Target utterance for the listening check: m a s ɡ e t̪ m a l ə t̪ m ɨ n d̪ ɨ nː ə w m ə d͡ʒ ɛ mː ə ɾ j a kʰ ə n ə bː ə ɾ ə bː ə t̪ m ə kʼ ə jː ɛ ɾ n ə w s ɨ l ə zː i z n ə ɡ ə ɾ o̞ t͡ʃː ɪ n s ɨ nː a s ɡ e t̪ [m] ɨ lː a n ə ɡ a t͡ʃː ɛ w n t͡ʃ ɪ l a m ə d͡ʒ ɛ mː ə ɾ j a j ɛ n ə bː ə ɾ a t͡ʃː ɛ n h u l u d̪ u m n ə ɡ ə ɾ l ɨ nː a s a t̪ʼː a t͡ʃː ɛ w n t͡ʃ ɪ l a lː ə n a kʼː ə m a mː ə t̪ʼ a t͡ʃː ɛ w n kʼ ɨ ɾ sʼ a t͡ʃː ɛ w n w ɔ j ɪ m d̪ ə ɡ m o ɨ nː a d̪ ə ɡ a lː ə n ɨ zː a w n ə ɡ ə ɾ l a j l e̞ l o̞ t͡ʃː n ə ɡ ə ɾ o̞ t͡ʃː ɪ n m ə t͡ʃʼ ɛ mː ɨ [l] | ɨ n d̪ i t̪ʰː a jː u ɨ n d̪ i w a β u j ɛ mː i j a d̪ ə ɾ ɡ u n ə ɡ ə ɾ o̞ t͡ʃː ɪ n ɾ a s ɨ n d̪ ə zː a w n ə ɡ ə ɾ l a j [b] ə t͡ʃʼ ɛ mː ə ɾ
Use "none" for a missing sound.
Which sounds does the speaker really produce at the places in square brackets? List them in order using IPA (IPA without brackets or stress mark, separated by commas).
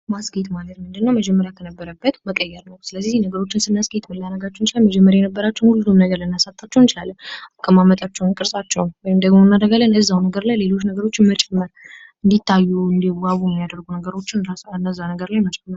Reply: m, ɾ, m